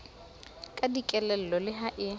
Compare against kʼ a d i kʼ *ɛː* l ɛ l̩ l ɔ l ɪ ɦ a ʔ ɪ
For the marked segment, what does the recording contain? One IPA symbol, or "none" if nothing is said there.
ɛ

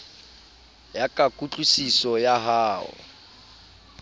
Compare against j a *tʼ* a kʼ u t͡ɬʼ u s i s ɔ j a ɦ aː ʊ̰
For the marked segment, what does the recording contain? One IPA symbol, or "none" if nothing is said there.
kʼ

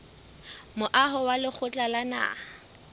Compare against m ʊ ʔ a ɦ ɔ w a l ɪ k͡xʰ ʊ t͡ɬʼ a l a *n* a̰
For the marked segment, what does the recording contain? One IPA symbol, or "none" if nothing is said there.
n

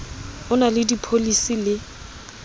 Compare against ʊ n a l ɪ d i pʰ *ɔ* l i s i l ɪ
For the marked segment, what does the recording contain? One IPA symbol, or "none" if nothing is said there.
o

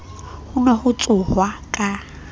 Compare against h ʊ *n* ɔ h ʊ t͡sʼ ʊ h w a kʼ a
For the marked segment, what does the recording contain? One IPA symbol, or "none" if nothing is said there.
n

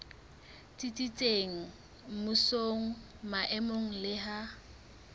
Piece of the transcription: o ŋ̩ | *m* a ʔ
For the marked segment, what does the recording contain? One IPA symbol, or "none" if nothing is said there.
m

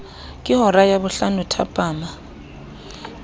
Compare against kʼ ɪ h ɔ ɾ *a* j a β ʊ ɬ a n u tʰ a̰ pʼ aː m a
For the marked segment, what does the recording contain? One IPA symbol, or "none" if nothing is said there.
a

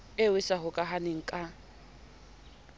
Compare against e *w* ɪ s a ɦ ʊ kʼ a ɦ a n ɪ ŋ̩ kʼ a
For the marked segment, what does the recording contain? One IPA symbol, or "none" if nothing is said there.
w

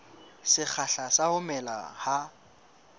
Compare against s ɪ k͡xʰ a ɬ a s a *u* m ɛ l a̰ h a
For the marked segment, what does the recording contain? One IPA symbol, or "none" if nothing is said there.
ʊ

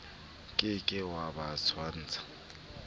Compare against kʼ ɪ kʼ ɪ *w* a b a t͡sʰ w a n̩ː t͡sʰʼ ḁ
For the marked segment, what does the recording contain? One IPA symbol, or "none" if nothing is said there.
w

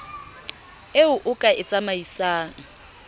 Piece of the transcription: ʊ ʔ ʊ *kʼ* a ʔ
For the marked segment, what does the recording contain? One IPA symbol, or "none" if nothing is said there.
kʼ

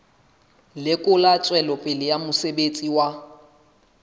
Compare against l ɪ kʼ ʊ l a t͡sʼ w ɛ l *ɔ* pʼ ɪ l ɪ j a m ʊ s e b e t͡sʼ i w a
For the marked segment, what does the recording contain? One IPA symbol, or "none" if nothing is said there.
ɔ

